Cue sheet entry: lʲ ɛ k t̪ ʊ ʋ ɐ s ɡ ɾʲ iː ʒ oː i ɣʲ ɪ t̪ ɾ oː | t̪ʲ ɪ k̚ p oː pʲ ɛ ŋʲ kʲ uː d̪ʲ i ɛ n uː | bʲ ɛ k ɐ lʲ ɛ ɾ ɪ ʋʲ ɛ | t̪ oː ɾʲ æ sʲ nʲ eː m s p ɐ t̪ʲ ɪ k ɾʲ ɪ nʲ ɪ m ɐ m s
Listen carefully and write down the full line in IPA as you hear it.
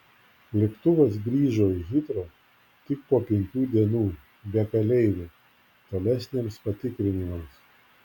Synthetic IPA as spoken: lʲ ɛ k t̪ ʊ ʋ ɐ s ɡ ɾʲ iː ʒ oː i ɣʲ ɪ t̪ ɾ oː | t̪ʲ ɪ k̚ p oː pʲ ɛ ŋʲ kʲ uː d̪ʲ i ɛ n uː | bʲ ɛ k ɐ lʲ ɛ ɪ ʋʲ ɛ | t̪ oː lʲ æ sʲ nʲ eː m s p ɐ t̪ʲ ɪ k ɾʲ ɪ nʲ ɪ m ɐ m s